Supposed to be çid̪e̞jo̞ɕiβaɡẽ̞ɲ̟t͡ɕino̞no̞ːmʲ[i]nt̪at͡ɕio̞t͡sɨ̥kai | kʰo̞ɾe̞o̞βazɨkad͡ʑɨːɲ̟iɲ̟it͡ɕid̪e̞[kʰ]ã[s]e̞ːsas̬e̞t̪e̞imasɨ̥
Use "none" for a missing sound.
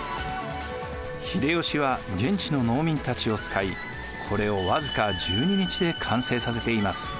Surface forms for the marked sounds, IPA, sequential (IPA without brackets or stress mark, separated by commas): ĩ, kʰ, s